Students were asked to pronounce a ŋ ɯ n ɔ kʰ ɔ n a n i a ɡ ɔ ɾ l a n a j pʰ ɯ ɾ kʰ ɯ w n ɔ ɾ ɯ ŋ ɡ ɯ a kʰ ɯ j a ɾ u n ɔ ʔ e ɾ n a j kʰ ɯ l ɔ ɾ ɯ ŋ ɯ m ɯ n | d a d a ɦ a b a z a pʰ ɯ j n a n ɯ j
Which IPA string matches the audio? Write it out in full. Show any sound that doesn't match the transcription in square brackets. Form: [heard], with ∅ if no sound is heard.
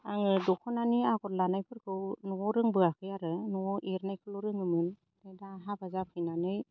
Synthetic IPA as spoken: a ŋ ɯ [d] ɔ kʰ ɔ n a n i a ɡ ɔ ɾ l a n a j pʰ ɯ ɾ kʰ ɯ w n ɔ ɾ ɯ ŋ [b] ɯ a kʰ ɯ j a ɾ [ɯ] n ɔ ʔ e ɾ n a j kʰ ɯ l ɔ ɾ ɯ ŋ ɯ m ɯ n | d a d a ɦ a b a z a pʰ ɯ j n a n ɯ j